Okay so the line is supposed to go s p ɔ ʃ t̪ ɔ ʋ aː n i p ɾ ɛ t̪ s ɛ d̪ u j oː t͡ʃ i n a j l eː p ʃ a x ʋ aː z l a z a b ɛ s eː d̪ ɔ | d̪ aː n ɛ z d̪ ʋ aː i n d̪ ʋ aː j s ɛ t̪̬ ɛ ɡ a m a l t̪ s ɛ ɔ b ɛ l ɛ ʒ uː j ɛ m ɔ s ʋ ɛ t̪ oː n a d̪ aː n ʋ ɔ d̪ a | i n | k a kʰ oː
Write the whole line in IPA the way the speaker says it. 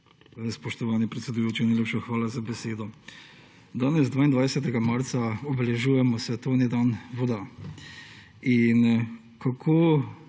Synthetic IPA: s p ɔ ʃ t̪ ɔ ʋ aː n i p ɾ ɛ t̪ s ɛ d̪ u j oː t͡ʃ i n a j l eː p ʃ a x ʋ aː l a z a b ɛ s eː d̪ ɔ | d̪ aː n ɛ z d̪ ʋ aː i n d̪ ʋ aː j s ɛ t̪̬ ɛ ɡ a m a ɾ t̪ s a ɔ b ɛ l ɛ ʒ uː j ɛ m ɔ s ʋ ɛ t̪ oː n i d̪ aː n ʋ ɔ d̪ a | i n | k a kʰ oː